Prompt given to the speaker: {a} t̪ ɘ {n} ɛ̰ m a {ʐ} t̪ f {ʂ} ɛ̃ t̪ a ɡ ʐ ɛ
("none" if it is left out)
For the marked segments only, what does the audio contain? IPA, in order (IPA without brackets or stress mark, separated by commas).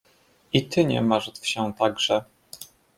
i, ɲ, ʐ, ɕ